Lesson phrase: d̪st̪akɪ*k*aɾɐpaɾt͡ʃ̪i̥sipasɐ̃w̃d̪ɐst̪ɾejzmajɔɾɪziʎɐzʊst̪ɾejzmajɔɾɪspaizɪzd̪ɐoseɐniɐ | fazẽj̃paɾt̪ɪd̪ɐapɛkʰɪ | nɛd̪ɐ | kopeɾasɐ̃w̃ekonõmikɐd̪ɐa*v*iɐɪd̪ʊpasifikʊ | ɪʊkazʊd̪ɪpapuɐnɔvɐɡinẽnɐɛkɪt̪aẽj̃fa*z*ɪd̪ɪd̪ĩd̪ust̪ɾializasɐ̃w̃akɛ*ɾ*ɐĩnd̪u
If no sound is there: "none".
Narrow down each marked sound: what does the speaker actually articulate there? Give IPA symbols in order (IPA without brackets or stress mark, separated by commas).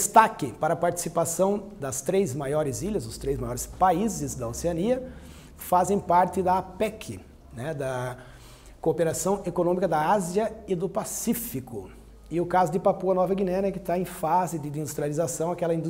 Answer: p, z, z, l